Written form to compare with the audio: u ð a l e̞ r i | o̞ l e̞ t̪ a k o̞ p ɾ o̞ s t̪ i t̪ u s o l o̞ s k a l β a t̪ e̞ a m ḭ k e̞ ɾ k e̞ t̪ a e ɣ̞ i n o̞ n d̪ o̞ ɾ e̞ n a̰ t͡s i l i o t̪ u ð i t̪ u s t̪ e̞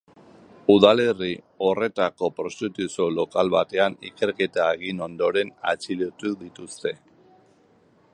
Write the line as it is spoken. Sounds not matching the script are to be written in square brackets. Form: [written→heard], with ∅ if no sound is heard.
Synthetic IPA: u ð a l e̞ r i | o̞ [l→r] e̞ t̪ a k o̞ p ɾ o̞ s t̪ i t̪ u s o l o̞ [s→∅] k a l β a t̪ e̞ a [m→n] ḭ k e̞ ɾ k e̞ t̪ a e ɣ̞ i n o̞ n d̪ o̞ ɾ e̞ n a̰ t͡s i l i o t̪ u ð i t̪ u s t̪ e̞